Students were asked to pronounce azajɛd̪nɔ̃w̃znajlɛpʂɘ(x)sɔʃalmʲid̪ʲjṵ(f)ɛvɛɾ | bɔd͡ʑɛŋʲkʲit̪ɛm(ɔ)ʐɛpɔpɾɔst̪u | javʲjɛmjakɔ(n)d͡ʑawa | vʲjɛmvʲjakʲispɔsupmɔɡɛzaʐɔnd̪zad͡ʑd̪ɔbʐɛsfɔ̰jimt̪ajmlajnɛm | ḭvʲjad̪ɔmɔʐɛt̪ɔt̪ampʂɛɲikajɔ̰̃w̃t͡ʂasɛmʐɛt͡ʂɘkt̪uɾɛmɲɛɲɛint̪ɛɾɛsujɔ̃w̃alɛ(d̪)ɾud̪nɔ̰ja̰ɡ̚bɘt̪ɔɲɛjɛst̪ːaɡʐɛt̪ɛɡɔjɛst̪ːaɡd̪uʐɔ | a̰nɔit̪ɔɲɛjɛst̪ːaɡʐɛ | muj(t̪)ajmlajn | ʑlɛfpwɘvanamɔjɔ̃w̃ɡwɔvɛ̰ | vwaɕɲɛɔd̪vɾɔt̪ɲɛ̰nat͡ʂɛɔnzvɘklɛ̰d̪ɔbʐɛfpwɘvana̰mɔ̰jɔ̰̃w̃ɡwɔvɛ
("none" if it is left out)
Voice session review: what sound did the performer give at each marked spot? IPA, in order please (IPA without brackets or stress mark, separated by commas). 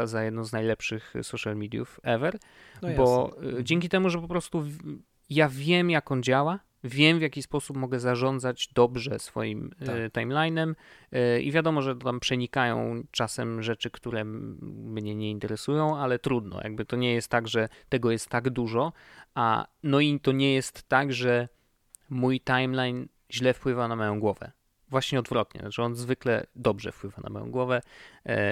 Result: x, f, u, n, t̪, t̪